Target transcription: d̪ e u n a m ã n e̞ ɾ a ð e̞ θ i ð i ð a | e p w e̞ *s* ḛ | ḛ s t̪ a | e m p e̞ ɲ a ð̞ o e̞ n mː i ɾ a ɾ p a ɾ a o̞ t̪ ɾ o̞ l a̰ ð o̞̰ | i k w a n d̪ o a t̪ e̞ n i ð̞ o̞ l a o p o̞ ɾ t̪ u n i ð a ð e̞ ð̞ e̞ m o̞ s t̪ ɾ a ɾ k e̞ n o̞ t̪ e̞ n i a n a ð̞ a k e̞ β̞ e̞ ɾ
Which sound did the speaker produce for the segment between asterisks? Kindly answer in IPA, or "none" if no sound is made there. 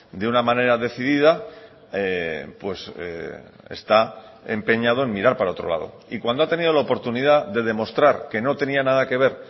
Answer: s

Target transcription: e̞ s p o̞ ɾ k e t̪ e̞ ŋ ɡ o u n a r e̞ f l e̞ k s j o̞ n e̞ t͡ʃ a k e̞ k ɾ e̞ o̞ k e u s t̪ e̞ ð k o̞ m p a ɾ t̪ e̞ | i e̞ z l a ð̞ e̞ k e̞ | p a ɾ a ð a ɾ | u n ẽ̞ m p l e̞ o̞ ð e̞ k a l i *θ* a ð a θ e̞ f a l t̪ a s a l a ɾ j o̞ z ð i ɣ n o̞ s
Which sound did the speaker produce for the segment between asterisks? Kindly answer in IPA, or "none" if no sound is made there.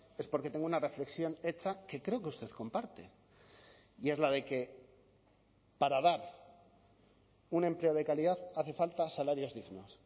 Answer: ð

